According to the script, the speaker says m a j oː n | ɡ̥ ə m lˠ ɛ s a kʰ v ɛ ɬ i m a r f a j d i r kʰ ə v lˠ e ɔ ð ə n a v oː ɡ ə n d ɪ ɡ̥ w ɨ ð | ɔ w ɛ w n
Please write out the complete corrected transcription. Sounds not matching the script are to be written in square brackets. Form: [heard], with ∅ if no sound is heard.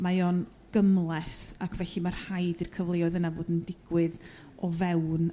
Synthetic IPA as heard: m a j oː n | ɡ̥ ə m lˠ ɛ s a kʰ v ɛ ɬ i m a r [h] a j d i r kʰ ə v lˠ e ɔ ð ə n a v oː [d] ə n d ɪ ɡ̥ w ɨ ð | ɔ [v] ɛ w n

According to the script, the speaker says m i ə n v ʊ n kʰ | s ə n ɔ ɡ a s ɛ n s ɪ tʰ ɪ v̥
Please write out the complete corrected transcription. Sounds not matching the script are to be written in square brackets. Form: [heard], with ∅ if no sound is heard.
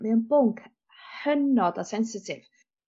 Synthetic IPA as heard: m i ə n [b] ʊ [ŋ] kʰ | [h] ə n ɔ [d] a s ɛ n s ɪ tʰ ɪ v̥

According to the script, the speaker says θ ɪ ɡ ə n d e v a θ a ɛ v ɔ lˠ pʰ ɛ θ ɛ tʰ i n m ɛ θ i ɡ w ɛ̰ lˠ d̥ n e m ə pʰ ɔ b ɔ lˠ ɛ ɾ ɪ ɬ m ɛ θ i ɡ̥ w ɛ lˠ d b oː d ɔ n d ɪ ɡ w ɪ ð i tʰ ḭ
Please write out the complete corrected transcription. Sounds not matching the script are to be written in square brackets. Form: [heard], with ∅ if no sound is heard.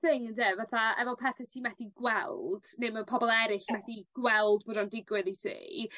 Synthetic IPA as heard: θ ɪ [ŋ] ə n d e v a θ a ɛ v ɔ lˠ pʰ ɛ θ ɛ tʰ i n m ɛ θ i ɡ w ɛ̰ lˠ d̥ n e m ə pʰ ɔ b ɔ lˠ ɛ ɾ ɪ ɬ m ɛ θ i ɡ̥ w ɛ lˠ d b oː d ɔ n d ɪ ɡ w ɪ ð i tʰ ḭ

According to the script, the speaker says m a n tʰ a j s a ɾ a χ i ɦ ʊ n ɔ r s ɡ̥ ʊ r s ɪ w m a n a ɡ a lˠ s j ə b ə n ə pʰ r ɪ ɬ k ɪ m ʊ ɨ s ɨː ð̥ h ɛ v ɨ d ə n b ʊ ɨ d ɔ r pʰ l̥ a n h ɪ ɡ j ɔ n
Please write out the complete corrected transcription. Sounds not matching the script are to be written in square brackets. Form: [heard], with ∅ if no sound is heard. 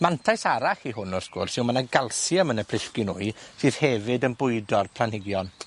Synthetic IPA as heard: m a n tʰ a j s a ɾ a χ i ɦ ʊ n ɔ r s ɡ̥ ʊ r s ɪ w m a n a ɡ a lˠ s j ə [m] ə n ə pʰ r ɪ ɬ k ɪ [n] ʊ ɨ s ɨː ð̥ h ɛ v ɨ d ə n b ʊ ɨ d ɔ r pʰ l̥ a n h ɪ ɡ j ɔ n

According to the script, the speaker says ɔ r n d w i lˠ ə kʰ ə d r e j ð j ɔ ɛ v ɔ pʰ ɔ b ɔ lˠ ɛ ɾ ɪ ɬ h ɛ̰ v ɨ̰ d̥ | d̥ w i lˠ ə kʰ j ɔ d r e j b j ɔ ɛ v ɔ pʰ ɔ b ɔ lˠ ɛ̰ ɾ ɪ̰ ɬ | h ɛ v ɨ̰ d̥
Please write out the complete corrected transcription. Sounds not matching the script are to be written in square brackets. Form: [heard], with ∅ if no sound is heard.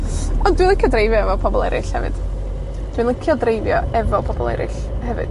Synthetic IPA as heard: ɔ [∅] n d w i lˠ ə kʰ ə d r e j [v] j ɔ ɛ v ɔ pʰ ɔ b ɔ lˠ ɛ ɾ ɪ ɬ h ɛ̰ v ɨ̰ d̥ | d̥ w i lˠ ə kʰ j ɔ d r e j [v] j ɔ ɛ v ɔ pʰ ɔ b ɔ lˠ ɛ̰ ɾ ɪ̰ ɬ | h ɛ v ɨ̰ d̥

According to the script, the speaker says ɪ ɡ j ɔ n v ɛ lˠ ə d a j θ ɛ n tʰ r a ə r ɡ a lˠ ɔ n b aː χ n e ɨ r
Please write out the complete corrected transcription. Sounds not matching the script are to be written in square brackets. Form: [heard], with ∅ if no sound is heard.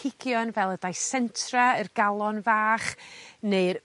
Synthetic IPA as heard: ɪ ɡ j ɔ n v ɛ lˠ ə d a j [s] ɛ n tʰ r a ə r ɡ a lˠ ɔ n [v] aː χ n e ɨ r

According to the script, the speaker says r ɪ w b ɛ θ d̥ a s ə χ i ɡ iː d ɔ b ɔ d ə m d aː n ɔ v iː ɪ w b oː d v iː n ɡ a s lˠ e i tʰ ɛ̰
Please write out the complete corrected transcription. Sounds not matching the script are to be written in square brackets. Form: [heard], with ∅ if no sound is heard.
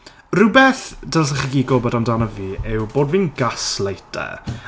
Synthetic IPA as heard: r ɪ w b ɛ θ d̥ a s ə χ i ɡ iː [ɡ] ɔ b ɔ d [a] m d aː n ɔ v iː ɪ w b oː d v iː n ɡ a s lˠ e [j] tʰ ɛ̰

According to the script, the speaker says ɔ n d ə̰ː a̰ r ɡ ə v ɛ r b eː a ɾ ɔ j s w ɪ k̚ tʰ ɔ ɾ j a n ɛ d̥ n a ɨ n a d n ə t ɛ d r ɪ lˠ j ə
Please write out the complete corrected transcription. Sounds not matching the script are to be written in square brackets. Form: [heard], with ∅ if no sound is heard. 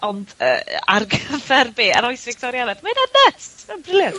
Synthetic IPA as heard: ɔ n d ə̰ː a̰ r ɡ ə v ɛ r b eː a ɾ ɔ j s [v] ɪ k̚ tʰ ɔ ɾ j a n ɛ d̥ [m] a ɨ n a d n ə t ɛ [b] r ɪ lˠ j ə

